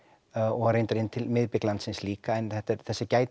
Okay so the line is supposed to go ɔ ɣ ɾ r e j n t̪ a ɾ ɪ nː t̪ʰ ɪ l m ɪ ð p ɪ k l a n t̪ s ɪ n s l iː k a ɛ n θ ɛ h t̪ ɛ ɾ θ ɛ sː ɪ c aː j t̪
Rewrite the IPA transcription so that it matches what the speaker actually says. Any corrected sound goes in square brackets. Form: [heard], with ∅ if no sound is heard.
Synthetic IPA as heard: ɔ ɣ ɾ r e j n t̪ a ɾ ɪ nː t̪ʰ ɪ l m ɪ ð p ɪ k l a n t̪ s ɪ n s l iː k a ɛ n θ ɛ h t̪ ɛ ɾ θ ɛ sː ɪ c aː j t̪